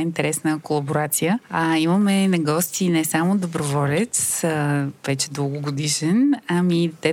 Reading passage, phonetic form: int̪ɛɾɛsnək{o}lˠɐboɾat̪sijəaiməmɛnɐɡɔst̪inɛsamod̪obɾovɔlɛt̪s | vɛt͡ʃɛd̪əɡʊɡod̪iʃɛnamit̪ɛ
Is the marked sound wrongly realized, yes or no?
no